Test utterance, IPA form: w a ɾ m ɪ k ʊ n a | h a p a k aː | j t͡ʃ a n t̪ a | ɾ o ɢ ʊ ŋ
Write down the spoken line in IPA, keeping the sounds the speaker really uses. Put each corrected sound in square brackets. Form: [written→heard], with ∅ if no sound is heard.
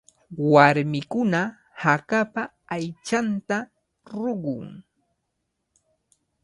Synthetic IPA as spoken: w a ɾ m ɪ k ʊ n a | h a [p→k] a [k→p] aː | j t͡ʃ a n t̪ a | ɾ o ɢ ʊ ŋ